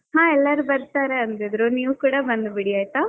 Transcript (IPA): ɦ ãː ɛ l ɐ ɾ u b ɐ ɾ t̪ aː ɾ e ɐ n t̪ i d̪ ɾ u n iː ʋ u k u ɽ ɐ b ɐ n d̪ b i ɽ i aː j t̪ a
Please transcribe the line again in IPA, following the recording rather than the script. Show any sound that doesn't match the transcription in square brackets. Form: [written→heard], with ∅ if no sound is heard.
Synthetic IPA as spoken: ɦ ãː ɛ [l→lː] ɐ ɾ u b ɐ ɾ t̪ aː ɾ e ɐ n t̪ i d̪ ɾ u n iː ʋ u k [u→uː] ɽ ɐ b ɐ n d̪ b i ɽ i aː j t̪ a